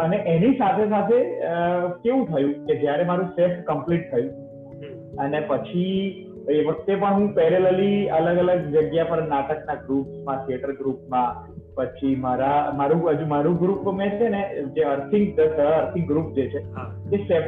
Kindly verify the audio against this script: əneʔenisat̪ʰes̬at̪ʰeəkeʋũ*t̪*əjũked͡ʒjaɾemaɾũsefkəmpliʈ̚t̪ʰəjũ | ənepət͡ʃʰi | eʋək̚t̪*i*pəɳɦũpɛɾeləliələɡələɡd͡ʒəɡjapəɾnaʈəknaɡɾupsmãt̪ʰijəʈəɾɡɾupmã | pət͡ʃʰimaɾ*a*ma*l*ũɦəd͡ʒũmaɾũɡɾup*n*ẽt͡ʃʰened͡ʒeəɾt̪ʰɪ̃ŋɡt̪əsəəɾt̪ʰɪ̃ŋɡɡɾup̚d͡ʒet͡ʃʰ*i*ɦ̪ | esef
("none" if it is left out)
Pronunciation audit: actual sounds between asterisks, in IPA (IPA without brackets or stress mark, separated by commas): t̪ʰ, e, a, ɾ, m, e